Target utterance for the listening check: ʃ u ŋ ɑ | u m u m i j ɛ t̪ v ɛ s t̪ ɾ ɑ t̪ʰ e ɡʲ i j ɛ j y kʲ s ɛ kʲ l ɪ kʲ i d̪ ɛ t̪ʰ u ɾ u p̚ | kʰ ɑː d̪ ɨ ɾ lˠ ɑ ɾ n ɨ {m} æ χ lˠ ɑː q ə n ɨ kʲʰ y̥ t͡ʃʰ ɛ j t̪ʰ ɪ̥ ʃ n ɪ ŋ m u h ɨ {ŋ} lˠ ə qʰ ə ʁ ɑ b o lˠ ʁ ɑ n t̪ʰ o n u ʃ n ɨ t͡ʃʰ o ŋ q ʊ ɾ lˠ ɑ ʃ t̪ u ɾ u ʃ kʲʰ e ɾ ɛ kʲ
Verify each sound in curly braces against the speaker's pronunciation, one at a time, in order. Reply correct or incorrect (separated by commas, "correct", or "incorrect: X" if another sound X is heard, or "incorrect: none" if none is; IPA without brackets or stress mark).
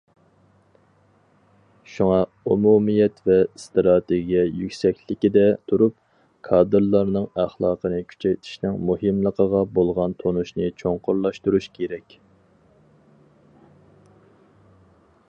incorrect: ŋ, incorrect: m